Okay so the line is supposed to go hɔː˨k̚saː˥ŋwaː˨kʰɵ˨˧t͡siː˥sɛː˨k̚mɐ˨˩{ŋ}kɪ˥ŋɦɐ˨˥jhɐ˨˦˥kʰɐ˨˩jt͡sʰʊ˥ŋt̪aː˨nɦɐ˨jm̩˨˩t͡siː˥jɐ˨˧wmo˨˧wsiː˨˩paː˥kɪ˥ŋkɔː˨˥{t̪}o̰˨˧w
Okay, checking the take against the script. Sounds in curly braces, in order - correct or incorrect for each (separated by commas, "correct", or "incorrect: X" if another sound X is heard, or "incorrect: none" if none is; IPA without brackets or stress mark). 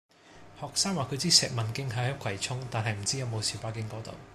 incorrect: n, correct